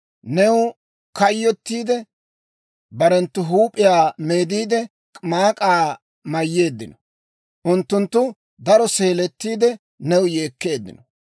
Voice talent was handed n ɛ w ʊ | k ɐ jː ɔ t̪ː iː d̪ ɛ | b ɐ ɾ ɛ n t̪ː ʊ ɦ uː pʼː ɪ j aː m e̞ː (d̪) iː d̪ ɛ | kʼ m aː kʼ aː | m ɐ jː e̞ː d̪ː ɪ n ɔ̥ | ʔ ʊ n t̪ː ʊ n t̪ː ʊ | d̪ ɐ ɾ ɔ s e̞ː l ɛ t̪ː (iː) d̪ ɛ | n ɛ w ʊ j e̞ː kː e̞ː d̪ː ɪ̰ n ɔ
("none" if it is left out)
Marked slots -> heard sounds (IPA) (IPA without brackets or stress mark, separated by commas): d̪, iː